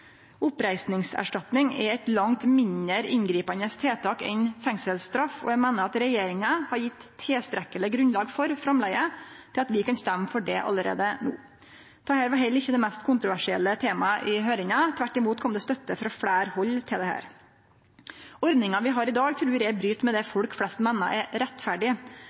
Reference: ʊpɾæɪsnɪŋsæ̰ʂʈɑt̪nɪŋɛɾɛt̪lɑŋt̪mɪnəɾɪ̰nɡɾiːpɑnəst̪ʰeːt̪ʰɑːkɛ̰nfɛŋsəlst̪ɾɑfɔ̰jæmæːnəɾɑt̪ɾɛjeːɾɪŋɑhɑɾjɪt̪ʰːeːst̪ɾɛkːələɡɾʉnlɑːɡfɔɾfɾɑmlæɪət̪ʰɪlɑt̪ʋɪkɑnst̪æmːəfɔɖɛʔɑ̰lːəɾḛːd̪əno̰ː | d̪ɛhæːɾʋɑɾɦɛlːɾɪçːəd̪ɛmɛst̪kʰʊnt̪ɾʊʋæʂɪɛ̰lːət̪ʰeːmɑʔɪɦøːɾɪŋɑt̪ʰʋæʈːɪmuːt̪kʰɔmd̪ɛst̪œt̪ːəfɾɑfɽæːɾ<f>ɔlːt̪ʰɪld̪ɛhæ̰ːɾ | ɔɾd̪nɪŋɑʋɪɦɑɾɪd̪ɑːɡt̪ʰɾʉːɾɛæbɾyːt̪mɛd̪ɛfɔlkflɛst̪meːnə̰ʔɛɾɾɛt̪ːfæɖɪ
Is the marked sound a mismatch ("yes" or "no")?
yes